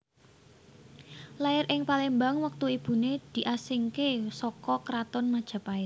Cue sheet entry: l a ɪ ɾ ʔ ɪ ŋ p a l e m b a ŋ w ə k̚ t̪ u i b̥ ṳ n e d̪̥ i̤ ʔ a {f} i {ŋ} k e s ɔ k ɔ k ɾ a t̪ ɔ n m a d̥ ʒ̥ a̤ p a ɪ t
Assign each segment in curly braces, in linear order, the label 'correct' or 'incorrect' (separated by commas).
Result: incorrect, correct